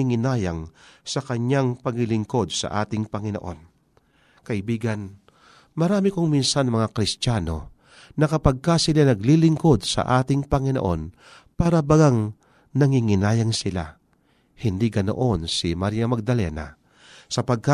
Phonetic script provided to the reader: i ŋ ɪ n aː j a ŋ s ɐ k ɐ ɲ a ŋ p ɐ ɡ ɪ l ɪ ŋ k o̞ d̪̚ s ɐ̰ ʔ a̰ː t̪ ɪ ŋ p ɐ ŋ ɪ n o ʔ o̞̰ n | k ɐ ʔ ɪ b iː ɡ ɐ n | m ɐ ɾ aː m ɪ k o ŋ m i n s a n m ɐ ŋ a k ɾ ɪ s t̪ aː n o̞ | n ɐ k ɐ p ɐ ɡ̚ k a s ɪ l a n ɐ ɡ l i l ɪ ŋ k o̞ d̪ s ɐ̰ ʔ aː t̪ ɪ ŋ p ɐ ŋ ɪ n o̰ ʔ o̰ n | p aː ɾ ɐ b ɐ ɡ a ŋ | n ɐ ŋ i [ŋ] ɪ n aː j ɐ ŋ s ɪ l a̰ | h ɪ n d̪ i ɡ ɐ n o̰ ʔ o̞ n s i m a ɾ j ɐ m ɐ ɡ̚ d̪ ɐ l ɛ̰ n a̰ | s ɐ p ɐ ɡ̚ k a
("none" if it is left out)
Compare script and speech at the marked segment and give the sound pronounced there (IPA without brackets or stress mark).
ŋ